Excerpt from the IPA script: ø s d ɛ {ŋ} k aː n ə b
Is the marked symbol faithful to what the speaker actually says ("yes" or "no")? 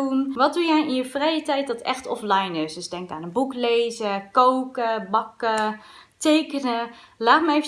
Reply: yes